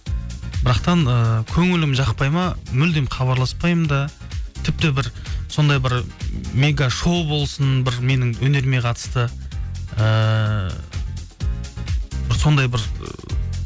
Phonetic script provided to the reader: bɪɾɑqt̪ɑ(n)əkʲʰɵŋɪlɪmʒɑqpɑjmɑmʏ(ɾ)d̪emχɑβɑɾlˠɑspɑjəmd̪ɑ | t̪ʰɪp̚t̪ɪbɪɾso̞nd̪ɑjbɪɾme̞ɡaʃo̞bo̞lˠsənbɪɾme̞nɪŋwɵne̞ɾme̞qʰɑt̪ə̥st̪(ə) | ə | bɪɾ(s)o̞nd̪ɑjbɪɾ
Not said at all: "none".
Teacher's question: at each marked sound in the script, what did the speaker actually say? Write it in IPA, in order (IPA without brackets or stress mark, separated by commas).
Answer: n, l, ə, s